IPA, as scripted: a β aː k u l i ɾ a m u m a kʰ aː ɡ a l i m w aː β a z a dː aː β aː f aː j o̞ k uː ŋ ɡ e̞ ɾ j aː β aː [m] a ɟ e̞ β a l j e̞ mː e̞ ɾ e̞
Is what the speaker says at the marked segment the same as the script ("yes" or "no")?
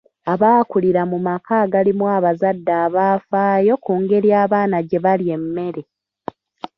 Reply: no